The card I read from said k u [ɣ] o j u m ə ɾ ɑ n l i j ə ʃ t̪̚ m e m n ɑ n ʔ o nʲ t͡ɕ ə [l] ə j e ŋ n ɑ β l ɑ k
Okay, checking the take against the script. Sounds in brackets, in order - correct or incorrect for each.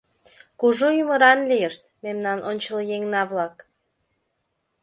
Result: incorrect, correct

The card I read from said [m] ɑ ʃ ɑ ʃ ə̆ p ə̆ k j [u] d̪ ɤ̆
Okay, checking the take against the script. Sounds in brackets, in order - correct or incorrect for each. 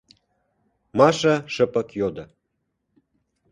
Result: correct, incorrect

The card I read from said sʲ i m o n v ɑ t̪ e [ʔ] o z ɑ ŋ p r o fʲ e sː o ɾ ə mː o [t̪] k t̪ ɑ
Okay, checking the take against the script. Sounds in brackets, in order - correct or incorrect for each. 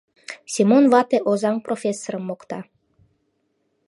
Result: correct, incorrect

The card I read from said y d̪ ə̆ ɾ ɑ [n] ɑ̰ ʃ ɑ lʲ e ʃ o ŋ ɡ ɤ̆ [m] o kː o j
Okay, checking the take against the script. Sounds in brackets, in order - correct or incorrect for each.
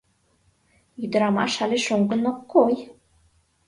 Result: incorrect, incorrect

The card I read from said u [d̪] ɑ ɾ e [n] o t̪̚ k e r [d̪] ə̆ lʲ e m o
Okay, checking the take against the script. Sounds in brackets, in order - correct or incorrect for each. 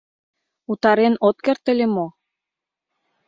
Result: incorrect, correct, incorrect

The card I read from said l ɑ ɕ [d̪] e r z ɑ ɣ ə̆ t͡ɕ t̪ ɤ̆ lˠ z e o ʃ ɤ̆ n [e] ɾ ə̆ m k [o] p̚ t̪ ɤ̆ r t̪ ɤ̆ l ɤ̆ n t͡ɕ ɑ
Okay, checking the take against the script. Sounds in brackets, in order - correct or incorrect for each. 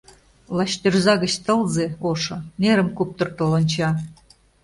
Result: incorrect, correct, incorrect

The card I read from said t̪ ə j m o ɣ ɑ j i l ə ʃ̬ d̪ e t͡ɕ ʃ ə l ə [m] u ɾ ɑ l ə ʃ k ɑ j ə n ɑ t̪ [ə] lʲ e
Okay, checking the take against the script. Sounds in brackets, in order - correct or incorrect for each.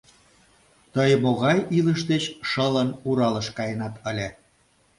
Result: incorrect, correct

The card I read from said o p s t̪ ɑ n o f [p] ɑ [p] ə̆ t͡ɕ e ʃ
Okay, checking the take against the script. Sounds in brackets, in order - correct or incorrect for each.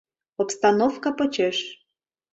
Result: incorrect, correct

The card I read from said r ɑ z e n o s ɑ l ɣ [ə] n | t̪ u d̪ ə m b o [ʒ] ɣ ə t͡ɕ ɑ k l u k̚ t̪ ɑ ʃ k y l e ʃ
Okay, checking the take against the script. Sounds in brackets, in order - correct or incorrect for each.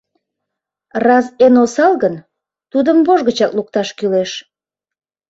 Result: correct, correct

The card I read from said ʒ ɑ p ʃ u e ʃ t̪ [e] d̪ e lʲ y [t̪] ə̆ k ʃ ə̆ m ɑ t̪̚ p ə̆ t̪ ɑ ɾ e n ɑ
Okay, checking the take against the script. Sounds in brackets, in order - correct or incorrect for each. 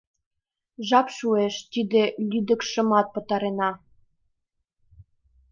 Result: incorrect, incorrect

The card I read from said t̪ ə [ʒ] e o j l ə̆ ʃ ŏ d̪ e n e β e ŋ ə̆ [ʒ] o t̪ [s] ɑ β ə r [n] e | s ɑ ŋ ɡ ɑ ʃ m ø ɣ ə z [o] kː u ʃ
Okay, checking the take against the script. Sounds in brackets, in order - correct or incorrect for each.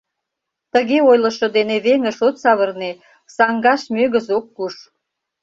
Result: incorrect, incorrect, correct, correct, correct

